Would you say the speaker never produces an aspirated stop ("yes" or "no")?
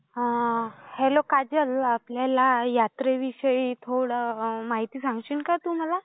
no